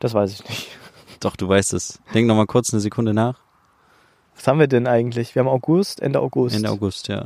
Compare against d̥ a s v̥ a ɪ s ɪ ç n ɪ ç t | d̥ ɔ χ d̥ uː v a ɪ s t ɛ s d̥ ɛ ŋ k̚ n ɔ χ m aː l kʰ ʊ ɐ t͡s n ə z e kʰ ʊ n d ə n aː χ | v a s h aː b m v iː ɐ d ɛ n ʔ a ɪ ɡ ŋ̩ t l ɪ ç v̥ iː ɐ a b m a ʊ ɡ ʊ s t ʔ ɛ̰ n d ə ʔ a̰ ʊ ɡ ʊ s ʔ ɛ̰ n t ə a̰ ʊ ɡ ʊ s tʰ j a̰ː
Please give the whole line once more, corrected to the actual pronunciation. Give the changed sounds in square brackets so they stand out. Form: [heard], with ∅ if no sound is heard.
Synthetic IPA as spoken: d̥ a s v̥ a ɪ s ɪ ç n ɪ ç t | d̥ ɔ χ d̥ uː v a ɪ s t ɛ s d̥ ɛ ŋ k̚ n ɔ χ m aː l kʰ ʊ ɐ t͡s n ə z e kʰ ʊ n d ə n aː χ | v a s h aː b m v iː ɐ d ɛ n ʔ a ɪ ɡ ŋ̩ t l ɪ ç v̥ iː ɐ a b m a ʊ ɡ ʊ s t ʔ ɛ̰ n d ə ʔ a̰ ʊ ɡ ʊ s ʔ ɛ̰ n [d] ə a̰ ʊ ɡ ʊ s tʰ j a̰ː